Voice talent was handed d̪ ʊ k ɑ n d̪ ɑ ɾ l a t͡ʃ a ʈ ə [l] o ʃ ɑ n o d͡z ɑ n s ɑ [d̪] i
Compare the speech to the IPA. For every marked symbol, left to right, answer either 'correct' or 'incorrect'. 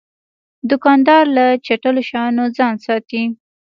correct, incorrect: t̪

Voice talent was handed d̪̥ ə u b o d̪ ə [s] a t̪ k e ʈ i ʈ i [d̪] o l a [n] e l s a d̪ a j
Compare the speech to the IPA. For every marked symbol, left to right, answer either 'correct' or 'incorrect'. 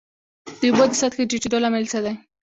correct, correct, incorrect: m

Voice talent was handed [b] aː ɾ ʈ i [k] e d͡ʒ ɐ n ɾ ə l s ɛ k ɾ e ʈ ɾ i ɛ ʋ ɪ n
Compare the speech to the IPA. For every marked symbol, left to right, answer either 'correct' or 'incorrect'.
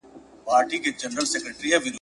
incorrect: p, correct

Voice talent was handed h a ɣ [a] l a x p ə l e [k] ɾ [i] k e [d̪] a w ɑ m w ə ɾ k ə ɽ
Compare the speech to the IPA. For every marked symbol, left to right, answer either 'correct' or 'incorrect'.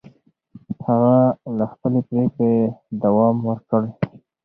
correct, incorrect: p, incorrect: e, correct

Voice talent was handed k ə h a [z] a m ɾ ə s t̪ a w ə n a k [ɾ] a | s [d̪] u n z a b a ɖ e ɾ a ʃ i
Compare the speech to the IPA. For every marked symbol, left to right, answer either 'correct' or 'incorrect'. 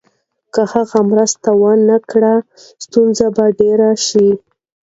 incorrect: ɣ, incorrect: ɽ, incorrect: t̪

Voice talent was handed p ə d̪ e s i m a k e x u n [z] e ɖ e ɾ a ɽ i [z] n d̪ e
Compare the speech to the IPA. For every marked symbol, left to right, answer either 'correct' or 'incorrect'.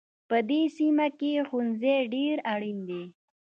correct, incorrect: none

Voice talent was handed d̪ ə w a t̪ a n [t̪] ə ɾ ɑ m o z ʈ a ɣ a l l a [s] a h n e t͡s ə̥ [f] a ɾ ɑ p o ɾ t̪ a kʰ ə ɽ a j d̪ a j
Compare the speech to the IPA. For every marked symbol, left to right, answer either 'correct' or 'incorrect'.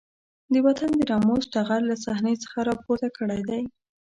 incorrect: d̪, correct, incorrect: x

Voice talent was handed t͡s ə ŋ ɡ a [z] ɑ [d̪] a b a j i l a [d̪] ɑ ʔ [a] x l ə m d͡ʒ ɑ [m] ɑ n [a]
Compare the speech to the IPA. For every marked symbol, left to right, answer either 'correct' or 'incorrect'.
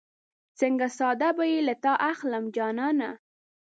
incorrect: s, correct, incorrect: t̪, correct, incorrect: n, correct

